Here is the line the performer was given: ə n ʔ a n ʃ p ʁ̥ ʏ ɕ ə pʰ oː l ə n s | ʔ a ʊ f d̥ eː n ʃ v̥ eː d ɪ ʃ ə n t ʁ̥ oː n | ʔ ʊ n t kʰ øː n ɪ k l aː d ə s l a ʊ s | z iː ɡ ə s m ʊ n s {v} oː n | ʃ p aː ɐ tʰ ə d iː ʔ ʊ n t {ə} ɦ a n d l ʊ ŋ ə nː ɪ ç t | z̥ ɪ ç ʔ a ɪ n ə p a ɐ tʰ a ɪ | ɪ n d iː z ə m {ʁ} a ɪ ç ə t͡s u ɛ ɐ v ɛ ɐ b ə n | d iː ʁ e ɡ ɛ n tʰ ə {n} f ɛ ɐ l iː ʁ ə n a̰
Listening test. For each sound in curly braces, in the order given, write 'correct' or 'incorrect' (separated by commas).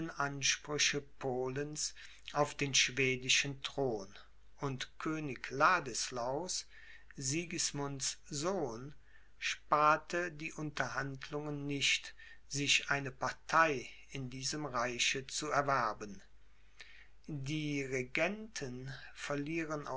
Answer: incorrect, incorrect, correct, correct